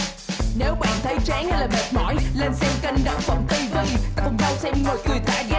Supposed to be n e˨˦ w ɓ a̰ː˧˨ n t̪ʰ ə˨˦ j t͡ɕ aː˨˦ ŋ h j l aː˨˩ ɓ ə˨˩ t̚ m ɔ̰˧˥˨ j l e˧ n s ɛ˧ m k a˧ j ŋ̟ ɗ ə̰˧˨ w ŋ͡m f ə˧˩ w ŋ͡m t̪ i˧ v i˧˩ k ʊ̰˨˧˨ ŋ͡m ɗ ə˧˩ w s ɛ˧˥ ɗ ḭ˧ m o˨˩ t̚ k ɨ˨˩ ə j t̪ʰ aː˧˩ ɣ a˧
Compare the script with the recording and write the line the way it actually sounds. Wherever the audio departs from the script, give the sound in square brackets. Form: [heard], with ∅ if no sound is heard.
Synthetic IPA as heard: n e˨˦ w ɓ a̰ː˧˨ n t̪ʰ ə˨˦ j t͡ɕ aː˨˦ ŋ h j l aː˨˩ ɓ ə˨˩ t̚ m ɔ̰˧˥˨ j l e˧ n s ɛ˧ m k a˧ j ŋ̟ ɗ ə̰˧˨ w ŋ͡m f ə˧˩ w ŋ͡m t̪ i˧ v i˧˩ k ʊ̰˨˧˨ ŋ͡m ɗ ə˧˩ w s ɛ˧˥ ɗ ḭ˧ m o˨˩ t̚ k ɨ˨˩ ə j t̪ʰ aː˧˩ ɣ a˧

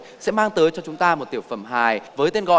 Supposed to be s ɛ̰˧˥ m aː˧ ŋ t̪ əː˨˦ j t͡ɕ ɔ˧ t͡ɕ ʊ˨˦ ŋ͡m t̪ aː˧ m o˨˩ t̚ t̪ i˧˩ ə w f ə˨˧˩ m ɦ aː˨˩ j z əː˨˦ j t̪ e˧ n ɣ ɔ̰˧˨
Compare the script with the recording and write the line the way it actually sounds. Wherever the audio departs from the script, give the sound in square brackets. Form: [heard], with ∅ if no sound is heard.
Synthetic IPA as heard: s ɛ̰˧˥ m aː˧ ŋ t̪ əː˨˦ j t͡ɕ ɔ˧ t͡ɕ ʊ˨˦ ŋ͡m t̪ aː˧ m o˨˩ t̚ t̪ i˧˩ ə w f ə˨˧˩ m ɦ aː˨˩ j [v] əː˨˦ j t̪ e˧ n ɣ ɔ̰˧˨

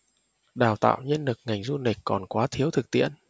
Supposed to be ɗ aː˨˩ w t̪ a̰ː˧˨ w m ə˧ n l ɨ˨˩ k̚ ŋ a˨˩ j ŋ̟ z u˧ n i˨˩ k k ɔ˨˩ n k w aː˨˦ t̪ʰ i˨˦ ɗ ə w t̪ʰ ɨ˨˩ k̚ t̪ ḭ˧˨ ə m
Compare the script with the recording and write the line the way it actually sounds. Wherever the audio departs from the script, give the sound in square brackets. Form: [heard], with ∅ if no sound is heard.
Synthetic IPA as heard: ɗ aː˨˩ w t̪ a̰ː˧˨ w [ɲ] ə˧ n l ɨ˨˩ k̚ ŋ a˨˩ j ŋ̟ z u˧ n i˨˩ k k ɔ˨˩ n k w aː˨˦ t̪ʰ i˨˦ [∅] ə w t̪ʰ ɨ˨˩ k̚ t̪ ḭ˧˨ ə [n]

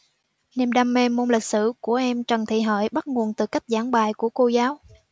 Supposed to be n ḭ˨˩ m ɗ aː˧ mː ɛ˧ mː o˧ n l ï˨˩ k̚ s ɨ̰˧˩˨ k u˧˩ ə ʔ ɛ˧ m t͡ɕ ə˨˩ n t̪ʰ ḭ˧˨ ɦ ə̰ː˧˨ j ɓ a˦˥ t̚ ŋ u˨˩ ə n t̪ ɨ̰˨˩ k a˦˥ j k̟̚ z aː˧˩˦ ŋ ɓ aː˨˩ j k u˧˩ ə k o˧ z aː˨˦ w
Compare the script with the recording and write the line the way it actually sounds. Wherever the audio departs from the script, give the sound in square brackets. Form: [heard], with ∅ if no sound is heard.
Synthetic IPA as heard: n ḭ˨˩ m ɗ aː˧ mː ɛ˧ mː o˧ n l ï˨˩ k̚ s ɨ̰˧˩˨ k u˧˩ ə ʔ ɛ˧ m t͡ɕ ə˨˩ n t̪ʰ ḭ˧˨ ɦ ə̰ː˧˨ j ɓ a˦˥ t̚ ŋ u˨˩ ə n t̪ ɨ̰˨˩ k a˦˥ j k̟̚ z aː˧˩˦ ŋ ɓ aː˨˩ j k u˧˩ ə k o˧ z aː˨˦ w

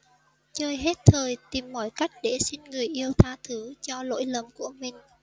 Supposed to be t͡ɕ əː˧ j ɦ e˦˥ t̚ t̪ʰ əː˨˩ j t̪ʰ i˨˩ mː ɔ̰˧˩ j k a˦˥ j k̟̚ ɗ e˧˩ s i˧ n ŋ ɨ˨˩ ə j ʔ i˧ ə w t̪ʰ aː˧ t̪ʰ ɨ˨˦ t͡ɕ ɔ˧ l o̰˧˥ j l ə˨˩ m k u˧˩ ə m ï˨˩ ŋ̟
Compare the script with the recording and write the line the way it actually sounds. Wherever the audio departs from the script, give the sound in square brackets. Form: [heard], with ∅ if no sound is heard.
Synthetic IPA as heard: t͡ɕ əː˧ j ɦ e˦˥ t̚ t̪ʰ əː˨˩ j [t̪] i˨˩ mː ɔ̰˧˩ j k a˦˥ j k̟̚ ɗ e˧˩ s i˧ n ŋ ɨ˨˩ ə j ʔ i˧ ə w t̪ʰ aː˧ t̪ʰ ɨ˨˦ t͡ɕ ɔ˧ l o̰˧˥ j l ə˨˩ m k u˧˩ ə m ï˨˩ ŋ̟

